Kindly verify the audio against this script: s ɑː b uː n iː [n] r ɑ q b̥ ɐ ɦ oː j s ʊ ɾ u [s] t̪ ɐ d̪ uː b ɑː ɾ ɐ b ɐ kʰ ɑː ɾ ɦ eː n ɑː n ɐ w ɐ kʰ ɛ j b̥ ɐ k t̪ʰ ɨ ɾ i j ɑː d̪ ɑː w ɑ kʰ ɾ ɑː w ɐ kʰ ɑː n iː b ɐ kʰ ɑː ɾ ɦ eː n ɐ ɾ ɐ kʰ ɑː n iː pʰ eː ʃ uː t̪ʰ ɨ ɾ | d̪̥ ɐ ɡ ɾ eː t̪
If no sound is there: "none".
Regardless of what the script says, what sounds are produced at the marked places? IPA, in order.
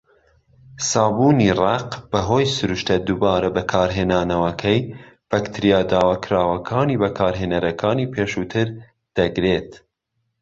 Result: none, ʃ

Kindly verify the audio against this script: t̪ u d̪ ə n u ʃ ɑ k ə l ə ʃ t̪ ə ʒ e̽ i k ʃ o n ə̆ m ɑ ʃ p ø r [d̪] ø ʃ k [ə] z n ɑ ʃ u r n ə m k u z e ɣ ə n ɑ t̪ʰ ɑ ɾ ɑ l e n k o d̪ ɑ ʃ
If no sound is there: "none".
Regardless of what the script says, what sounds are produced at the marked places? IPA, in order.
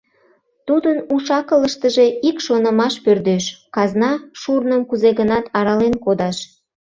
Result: d̪, ɑ

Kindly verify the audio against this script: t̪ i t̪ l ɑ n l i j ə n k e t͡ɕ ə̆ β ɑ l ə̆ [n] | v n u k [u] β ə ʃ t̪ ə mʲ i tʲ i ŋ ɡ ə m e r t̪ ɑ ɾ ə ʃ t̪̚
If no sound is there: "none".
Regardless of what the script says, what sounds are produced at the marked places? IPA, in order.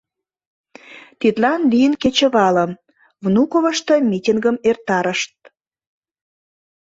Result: m, o

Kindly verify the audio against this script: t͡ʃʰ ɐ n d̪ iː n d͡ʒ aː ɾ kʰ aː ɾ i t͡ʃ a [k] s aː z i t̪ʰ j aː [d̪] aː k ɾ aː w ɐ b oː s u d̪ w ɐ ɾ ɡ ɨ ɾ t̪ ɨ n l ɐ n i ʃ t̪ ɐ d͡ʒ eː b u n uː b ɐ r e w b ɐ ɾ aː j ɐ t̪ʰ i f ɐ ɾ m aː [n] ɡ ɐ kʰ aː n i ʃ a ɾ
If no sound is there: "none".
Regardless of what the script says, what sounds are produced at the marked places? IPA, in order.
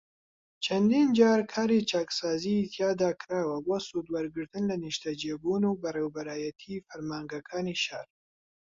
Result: k, d̪, ŋ

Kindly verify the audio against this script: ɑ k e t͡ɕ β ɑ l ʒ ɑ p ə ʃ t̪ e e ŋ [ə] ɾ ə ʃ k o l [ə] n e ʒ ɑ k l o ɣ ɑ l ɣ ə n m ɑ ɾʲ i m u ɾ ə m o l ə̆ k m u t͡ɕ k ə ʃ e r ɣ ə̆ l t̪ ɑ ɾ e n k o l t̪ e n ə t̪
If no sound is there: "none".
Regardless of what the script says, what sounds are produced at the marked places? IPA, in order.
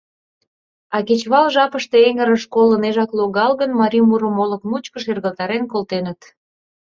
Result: ə, ə

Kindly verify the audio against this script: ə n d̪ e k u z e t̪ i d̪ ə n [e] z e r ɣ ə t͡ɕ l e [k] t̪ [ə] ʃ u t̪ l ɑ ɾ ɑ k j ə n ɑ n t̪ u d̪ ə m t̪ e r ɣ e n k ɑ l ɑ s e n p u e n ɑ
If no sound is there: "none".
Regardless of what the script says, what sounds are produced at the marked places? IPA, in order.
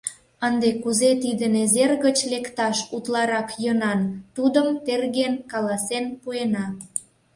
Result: e, k, ɑ

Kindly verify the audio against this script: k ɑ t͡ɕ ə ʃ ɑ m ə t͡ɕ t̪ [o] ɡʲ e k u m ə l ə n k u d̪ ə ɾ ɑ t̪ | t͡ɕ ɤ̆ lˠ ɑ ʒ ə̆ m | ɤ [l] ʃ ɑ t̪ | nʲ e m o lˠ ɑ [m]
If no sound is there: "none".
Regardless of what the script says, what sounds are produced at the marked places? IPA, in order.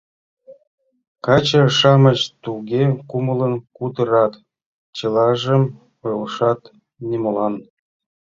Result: u, l, n

